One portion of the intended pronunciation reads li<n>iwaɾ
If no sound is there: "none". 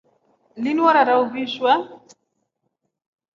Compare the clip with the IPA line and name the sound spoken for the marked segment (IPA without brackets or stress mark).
n